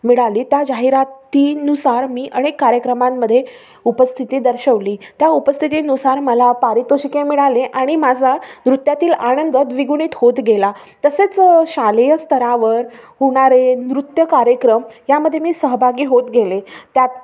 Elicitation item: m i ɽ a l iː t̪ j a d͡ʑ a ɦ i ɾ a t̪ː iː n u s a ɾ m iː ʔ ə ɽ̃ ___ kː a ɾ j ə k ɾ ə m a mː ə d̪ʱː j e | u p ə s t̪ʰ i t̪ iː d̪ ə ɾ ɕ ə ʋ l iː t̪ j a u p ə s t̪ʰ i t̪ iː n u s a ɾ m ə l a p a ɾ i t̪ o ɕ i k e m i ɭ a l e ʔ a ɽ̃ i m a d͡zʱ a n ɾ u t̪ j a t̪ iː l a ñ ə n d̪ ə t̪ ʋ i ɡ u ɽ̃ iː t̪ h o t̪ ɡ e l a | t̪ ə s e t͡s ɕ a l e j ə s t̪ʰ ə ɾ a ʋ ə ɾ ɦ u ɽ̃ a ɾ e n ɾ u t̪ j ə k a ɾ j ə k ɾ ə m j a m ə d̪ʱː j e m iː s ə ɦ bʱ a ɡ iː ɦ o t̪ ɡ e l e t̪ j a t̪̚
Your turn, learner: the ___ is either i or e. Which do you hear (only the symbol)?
e